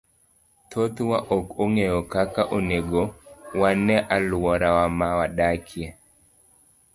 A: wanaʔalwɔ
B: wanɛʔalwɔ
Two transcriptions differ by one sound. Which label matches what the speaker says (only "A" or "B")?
B